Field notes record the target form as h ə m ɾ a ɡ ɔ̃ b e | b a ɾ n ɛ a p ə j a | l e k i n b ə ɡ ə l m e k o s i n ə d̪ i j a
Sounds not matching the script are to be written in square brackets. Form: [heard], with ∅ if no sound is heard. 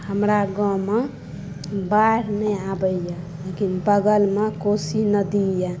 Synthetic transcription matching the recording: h ə m ɾ a ɡ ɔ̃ [m] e | b a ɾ n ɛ a [b] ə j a | l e k i n b ə ɡ ə l m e k o s i n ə d̪ i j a